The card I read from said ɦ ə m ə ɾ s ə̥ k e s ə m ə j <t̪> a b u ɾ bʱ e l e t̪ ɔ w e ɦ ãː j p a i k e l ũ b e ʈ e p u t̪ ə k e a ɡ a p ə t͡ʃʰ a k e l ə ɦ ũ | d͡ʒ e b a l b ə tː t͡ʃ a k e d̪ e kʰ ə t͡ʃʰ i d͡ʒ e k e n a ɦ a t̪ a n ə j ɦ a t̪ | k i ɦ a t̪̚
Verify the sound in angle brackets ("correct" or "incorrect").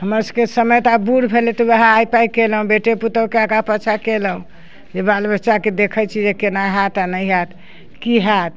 correct